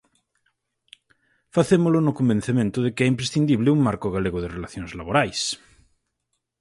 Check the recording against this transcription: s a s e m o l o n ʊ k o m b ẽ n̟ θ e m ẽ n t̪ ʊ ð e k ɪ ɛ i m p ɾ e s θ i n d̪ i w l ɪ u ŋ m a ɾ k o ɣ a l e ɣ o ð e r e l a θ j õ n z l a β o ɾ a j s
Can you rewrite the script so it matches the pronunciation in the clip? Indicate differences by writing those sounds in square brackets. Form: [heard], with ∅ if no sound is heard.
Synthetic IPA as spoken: [f] a [θ] e m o l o n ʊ k o m b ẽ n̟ θ e m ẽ n t̪ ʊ ð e k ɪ ɛ i m p ɾ e s θ i n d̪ i [β] l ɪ u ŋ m a ɾ k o ɣ a l e ɣ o ð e r e l a θ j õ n z l a β o ɾ a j s

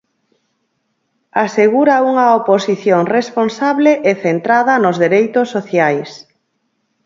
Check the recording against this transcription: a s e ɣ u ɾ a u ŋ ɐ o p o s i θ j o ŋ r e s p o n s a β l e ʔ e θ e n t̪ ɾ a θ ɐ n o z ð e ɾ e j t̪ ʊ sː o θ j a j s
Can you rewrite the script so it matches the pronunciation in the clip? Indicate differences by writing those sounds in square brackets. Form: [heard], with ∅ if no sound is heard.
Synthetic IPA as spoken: a s e ɣ u ɾ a u ŋ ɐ o p o s i θ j o ŋ r e s p o n s a β l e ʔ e θ e n t̪ ɾ a [ð] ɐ n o z ð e ɾ e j t̪ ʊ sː o θ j a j s

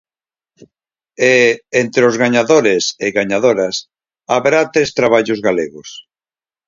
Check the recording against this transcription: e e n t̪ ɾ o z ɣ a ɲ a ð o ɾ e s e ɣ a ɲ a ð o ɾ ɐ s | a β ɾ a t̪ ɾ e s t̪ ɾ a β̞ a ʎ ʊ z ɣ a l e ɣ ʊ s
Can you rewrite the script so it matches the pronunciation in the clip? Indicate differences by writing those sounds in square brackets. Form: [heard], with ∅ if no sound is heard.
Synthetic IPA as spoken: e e n t̪ ɾ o z ɣ a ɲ a ð o ɾ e s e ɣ a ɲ a ð o ɾ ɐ s | a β ɾ a t̪ ɾ e s t̪ ɾ a β̞ a ʎ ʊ z ɣ a l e ɣ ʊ s

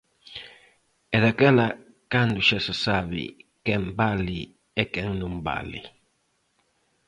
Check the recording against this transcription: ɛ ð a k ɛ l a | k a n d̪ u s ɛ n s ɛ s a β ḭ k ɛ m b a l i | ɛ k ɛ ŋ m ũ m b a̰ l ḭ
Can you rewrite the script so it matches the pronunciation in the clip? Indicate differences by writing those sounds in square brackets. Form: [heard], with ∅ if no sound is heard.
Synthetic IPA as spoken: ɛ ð a k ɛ l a | k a n d̪ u [ʃ] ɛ [∅] s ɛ s a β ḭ k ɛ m b a l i | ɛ k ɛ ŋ [n] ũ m b a̰ l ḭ

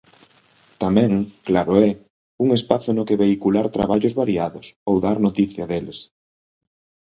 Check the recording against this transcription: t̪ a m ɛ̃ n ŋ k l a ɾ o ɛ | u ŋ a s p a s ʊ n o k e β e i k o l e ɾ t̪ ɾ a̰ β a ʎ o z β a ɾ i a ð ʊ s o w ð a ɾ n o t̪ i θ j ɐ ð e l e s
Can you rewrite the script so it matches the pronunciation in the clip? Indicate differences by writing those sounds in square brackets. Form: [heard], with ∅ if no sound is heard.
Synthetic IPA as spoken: t̪ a m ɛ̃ [∅] ŋ k l a ɾ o ɛ | u ŋ [e] s p a [θ] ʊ n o k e β e i k [u] l [a] ɾ t̪ ɾ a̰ β a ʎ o z β a ɾ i a ð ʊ s o w ð a ɾ n o t̪ i θ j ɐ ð e l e s

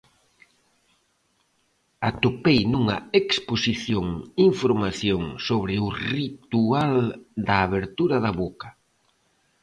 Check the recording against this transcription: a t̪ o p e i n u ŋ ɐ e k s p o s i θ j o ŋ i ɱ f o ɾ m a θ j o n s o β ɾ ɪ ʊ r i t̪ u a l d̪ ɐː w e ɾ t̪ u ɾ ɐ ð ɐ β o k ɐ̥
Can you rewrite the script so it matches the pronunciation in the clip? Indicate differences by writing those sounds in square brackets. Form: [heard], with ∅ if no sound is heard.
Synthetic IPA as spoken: a t̪ o p e [j] n u ŋ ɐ e k s p o s i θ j o ŋ i ɱ f o ɾ m a θ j o [ŋ] s o β ɾ ɪ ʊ r i t̪ u a l d̪ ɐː [β] e ɾ t̪ u ɾ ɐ ð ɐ β o k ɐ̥

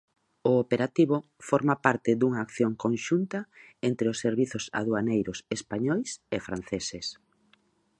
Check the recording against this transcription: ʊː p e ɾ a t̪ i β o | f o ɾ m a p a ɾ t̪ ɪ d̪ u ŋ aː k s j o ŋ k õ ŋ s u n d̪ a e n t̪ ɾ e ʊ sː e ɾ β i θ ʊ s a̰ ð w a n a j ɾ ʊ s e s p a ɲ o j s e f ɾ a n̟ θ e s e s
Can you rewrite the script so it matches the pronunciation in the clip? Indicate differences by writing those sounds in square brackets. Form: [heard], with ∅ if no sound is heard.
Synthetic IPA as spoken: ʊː p e ɾ a t̪ i β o | f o ɾ m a p a ɾ t̪ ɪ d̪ u ŋ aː k [θ] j o ŋ k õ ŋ [ʃ] u n [t̪] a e n t̪ ɾ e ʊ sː e ɾ β i θ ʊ s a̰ ð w a n [e] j ɾ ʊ s e s p a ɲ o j s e f ɾ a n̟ θ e s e s

